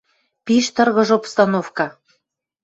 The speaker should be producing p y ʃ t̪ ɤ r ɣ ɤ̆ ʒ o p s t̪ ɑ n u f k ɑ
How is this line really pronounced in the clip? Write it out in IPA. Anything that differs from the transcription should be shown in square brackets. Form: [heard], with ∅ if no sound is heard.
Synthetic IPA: p [i] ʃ t̪ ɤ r ɣ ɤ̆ ʒ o p s t̪ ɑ n [o] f k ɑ